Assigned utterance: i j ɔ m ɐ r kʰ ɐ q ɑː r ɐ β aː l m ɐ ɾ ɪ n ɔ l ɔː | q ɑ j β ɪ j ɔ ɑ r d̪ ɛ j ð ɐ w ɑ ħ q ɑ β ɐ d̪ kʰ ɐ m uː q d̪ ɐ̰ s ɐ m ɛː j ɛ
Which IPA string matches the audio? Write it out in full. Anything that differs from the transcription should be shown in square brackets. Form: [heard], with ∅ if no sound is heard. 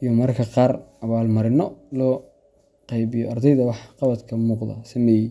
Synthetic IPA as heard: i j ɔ m ɐ r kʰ ɐ q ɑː r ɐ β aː l m ɐ ɾ ɪ n ɔ l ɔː | q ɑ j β ɪ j ɔ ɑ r d̪ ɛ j ð ɐ w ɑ ħ q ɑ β ɐ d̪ kʰ ɐ m uː q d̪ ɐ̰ s ɐ m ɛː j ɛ